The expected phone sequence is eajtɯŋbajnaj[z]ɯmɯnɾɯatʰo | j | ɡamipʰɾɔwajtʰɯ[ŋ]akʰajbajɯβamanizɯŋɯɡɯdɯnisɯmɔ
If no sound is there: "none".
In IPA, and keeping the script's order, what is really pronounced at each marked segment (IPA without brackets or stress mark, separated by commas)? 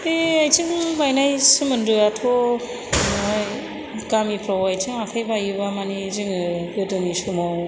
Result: s, ŋ